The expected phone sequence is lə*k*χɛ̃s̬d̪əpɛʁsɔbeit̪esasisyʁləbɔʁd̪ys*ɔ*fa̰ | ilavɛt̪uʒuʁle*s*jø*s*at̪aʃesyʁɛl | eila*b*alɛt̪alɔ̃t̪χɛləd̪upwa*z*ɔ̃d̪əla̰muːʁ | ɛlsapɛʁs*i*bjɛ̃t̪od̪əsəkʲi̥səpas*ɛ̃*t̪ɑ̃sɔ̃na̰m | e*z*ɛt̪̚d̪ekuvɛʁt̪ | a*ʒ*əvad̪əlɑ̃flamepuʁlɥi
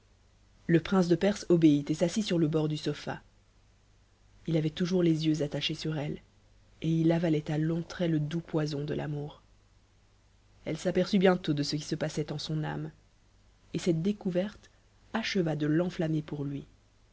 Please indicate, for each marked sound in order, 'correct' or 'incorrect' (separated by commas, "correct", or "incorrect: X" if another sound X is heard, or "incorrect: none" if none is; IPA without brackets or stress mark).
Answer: incorrect: p, correct, incorrect: z, incorrect: z, incorrect: v, correct, incorrect: y, incorrect: ɛ, incorrect: s, incorrect: ʃ